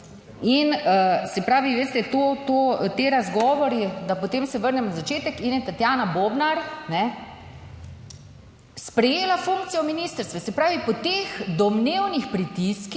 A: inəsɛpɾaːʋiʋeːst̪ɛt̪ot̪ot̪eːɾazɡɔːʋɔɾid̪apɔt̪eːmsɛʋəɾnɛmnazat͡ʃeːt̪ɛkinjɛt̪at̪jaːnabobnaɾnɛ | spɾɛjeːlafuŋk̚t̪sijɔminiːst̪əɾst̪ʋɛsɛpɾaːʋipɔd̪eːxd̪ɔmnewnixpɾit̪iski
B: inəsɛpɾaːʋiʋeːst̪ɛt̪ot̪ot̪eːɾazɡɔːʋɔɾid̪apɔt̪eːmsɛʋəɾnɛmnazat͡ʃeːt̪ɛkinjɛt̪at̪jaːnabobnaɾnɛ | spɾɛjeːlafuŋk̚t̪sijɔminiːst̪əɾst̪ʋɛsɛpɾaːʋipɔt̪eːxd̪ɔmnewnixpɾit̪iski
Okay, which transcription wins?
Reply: B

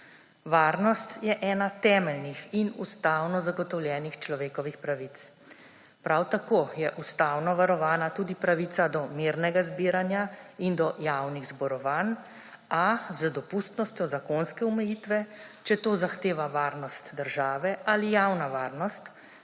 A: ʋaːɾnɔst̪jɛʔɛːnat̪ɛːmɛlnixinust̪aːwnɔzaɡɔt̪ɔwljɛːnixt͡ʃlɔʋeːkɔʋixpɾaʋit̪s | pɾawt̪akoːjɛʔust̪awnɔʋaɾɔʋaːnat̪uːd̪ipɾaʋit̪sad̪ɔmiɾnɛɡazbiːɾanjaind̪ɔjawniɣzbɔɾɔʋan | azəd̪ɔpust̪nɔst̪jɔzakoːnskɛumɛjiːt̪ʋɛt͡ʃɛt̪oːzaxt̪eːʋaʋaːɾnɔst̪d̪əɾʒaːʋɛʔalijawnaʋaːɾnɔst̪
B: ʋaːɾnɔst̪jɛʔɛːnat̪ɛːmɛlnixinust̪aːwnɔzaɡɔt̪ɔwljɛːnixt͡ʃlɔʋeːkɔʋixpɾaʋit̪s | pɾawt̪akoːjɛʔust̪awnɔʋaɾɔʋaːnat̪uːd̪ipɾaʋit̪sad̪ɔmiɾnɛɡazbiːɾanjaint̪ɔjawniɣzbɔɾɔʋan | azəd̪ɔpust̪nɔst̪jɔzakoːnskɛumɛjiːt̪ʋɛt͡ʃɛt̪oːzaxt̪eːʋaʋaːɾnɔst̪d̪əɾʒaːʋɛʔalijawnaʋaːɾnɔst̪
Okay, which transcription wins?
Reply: A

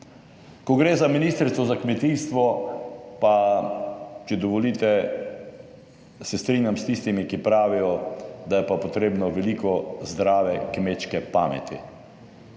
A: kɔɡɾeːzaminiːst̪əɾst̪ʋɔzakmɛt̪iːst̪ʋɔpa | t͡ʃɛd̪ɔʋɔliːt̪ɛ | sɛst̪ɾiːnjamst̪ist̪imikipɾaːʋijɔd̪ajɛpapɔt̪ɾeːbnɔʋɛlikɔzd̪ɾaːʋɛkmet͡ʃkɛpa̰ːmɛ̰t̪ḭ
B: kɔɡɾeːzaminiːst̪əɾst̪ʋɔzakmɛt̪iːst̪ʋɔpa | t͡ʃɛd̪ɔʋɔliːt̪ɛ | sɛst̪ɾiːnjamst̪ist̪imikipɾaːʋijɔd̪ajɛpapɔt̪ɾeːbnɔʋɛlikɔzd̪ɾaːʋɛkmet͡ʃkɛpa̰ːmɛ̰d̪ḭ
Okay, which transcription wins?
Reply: A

